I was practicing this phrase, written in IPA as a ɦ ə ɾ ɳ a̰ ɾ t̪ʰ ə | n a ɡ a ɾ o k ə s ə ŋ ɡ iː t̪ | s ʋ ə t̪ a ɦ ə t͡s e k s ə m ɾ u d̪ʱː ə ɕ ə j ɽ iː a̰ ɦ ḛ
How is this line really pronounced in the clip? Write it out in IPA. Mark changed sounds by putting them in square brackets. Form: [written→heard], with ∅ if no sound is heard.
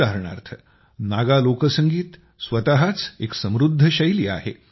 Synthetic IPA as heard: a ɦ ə ɾ ɳ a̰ ɾ t̪ʰ ə | n a ɡ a [ɾ→l] o k ə s ə ŋ ɡ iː t̪ | s ʋ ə t̪ a ɦ [ə→a] t͡s e k s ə m ɾ u d̪ʱː ə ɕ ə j [ɽ→l] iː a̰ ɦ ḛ